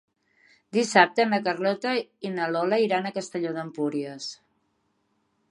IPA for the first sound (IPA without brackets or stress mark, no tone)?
d̪